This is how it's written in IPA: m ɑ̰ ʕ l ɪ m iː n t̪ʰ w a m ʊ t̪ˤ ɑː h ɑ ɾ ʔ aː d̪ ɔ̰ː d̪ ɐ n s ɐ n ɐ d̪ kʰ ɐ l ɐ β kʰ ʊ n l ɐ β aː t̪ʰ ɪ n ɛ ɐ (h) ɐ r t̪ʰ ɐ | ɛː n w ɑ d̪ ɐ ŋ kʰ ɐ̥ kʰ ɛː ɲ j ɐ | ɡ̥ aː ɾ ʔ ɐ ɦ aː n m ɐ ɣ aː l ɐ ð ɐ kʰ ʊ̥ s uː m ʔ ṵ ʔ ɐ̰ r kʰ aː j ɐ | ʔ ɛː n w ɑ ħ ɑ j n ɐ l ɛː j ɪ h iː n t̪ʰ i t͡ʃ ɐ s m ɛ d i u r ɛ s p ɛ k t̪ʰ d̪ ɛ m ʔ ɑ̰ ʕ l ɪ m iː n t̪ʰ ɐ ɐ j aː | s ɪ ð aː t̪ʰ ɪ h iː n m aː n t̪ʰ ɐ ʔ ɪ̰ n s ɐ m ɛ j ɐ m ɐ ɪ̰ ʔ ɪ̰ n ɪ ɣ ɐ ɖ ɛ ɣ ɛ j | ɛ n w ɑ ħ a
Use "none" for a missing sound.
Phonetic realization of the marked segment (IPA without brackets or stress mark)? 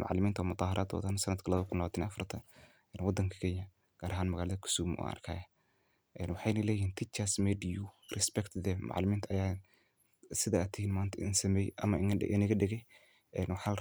f